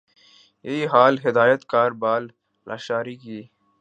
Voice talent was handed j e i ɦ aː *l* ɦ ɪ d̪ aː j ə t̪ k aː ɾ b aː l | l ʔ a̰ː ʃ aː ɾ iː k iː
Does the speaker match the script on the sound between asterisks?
yes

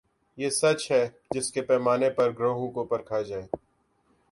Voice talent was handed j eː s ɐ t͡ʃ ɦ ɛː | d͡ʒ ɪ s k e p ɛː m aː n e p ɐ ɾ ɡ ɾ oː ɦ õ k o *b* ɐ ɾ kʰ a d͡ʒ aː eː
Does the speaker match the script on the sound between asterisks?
no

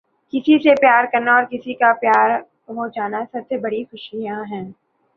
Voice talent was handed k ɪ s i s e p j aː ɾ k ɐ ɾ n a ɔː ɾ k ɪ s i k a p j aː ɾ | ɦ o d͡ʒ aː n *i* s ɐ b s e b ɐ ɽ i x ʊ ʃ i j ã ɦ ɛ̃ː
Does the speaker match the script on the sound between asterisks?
no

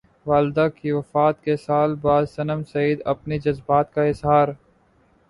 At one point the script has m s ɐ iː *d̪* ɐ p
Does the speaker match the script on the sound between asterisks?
yes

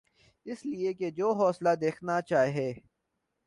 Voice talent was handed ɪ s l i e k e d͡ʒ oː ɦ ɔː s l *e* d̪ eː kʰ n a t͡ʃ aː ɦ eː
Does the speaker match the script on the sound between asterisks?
no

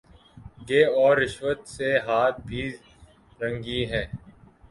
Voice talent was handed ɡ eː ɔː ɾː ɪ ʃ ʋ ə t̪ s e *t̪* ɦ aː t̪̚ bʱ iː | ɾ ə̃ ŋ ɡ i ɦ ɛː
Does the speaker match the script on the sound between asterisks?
no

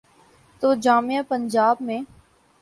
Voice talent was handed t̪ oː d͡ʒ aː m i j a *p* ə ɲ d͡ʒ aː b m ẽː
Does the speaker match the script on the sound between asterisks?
yes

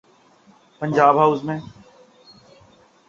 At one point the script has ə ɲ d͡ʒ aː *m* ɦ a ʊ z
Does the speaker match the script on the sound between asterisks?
no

